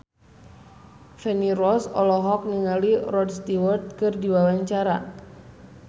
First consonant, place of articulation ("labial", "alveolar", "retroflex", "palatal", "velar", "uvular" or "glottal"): labial